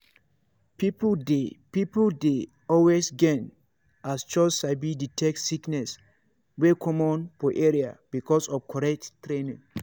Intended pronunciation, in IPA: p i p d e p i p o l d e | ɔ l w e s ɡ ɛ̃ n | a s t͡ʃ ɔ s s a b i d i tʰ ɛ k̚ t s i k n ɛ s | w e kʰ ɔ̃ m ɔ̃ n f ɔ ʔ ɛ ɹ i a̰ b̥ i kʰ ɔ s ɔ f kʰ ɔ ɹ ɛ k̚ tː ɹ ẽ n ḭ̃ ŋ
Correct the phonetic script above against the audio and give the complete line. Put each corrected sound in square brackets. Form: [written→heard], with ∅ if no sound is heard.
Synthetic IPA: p i p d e p i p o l d e | ɔ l w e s ɡ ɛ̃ n | a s t͡ʃ ɔ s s a b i d i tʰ ɛ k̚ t s i k n ɛ s | w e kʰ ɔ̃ m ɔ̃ n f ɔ ʔ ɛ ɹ i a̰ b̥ i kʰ ɔ s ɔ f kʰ ɔ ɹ ɛ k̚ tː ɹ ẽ n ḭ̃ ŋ